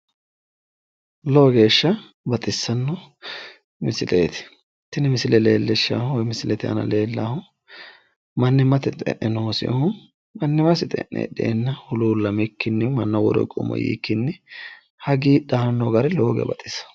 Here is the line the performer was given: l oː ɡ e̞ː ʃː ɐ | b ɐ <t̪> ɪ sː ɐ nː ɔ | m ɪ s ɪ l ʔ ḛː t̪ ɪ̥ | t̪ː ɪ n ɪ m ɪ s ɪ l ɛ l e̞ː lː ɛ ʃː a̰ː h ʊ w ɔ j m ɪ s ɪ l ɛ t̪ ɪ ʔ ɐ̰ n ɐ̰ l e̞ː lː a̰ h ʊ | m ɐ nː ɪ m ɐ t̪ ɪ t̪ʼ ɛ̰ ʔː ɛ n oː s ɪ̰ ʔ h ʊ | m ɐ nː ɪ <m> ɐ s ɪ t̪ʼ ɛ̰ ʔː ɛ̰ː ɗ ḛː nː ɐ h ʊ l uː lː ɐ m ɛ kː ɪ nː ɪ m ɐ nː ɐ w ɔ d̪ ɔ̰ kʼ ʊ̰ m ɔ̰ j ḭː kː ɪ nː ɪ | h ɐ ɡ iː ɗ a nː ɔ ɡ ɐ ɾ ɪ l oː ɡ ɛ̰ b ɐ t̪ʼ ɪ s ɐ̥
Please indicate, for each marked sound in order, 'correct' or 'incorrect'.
incorrect: t̪ʼ, correct

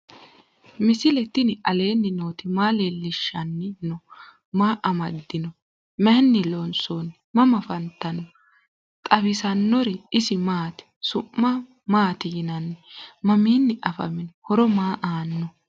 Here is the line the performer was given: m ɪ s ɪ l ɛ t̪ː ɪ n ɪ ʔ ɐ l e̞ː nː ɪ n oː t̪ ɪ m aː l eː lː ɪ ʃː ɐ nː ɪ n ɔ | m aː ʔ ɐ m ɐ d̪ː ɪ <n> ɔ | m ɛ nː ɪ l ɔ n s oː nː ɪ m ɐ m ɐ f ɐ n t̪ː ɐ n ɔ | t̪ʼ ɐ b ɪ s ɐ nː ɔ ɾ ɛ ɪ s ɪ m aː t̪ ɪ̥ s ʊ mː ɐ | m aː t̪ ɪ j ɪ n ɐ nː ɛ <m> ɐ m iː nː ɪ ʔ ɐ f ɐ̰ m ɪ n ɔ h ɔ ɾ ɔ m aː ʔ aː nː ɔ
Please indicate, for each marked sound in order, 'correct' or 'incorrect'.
correct, correct

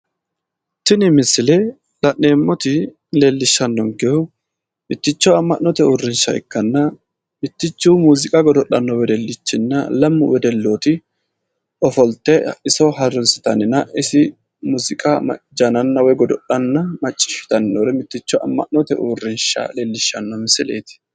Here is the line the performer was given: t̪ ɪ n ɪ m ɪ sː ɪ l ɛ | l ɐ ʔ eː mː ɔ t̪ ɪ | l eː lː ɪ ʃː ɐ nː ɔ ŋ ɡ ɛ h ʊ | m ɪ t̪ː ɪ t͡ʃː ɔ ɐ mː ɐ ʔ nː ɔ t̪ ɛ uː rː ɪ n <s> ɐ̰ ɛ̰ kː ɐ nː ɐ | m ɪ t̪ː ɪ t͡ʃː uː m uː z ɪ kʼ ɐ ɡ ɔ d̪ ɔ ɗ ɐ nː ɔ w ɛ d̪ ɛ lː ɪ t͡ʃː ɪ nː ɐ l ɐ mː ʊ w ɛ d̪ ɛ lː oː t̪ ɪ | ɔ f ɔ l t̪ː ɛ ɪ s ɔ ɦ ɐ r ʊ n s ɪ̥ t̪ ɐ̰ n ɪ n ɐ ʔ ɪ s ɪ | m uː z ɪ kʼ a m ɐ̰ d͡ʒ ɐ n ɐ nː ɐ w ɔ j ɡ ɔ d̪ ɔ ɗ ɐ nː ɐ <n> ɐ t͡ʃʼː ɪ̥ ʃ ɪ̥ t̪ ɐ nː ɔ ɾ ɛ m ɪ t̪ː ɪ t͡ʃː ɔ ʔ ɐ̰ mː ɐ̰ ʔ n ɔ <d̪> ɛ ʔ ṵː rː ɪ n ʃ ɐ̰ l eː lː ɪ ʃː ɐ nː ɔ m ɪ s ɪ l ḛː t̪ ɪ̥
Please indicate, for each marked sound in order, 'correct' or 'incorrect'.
incorrect: ʃ, incorrect: m, incorrect: t̪

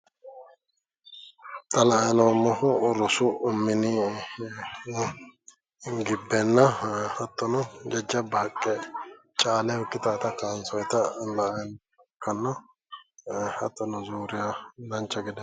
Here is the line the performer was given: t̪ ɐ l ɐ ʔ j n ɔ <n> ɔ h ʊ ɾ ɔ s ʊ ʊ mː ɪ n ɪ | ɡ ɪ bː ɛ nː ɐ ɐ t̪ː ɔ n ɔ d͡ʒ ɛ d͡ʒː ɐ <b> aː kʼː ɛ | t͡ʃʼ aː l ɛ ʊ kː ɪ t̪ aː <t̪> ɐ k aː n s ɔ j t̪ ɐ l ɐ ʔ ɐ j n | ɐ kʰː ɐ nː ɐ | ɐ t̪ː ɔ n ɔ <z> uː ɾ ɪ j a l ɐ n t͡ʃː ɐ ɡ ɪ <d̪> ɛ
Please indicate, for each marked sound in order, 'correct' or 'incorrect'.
incorrect: m, correct, correct, correct, correct

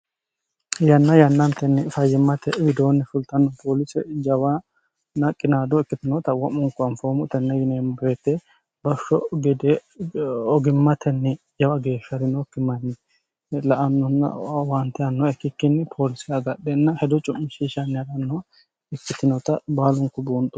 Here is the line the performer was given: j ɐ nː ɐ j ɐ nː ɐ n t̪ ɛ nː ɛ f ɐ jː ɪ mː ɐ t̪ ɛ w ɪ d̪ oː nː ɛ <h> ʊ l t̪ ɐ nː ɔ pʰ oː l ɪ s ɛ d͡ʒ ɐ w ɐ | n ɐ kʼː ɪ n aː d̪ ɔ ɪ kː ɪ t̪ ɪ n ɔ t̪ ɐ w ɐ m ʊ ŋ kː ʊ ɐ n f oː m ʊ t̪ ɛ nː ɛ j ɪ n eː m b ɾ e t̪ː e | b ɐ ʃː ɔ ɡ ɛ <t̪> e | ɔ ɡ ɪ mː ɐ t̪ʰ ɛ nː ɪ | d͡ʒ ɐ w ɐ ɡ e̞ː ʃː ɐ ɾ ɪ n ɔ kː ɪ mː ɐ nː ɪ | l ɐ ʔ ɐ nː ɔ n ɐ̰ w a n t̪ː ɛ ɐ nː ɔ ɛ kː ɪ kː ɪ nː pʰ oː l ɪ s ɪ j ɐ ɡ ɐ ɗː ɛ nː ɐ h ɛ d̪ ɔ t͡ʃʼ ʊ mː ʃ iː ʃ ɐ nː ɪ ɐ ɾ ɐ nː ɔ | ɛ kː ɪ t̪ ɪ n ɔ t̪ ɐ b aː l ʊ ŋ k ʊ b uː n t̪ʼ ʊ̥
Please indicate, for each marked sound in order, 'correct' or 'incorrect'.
incorrect: f, incorrect: d̪

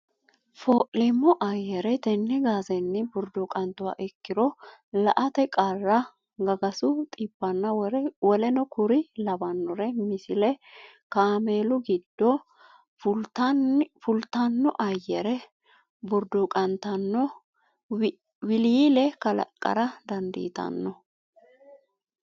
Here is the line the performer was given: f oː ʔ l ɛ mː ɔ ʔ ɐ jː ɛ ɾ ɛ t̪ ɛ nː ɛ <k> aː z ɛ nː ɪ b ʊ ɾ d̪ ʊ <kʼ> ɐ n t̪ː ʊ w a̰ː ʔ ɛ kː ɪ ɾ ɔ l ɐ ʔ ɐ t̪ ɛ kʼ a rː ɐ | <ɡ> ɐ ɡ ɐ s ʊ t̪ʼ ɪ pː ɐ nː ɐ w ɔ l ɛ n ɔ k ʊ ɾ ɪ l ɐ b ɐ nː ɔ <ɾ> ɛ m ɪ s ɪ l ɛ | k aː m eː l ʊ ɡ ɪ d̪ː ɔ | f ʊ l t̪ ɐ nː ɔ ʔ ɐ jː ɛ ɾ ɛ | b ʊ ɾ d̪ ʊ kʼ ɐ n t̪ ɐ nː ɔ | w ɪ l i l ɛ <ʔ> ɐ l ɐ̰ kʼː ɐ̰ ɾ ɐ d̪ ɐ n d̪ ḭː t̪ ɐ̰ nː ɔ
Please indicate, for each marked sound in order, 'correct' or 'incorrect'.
incorrect: ɡ, correct, correct, correct, incorrect: k

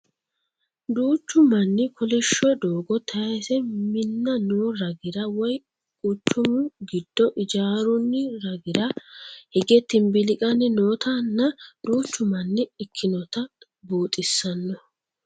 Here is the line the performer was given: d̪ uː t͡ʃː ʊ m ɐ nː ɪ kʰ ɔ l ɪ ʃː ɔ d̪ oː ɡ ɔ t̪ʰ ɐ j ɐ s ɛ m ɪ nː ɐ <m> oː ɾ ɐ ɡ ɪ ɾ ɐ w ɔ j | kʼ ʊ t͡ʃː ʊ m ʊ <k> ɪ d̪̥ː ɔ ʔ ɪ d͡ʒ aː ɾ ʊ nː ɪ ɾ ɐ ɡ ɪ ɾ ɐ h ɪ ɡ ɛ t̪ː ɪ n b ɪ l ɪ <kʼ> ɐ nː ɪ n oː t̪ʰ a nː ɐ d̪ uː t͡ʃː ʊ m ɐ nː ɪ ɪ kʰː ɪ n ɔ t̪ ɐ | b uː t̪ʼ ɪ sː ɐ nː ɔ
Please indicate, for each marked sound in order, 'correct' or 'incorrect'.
incorrect: n, incorrect: ɡ, correct

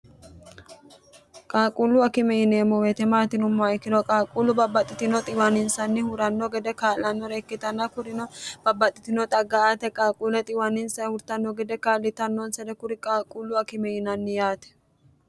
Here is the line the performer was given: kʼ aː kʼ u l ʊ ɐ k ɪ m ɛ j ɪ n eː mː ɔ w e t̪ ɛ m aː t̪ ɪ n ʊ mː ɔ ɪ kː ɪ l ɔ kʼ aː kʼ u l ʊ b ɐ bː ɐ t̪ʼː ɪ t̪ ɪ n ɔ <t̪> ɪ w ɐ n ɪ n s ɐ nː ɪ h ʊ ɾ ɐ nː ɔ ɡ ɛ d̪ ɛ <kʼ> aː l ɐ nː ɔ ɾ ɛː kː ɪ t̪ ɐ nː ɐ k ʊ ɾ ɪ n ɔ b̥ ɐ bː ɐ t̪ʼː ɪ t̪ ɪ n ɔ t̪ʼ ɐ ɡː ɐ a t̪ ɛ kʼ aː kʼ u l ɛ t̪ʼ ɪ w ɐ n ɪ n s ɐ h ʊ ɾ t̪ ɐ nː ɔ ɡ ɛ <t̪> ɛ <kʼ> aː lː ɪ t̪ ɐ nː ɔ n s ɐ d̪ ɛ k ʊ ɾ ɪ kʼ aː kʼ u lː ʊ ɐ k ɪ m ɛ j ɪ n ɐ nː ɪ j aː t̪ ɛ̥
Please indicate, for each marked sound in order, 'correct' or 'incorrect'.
incorrect: t̪ʼ, incorrect: k, incorrect: d̪, incorrect: k

